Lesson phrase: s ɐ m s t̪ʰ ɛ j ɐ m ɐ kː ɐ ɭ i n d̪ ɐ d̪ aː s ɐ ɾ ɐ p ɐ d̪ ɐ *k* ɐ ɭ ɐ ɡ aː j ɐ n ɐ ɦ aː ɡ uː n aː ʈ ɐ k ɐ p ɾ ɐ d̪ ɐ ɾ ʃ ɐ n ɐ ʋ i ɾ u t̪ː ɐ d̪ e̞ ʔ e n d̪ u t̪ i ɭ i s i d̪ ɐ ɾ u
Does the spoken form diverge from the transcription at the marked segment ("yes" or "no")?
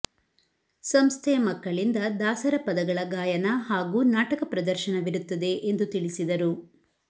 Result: yes